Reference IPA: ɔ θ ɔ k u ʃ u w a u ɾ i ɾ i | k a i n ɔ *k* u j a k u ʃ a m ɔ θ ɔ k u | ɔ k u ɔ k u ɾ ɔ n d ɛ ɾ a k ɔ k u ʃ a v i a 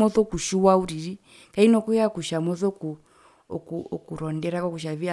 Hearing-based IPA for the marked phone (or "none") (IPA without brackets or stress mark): k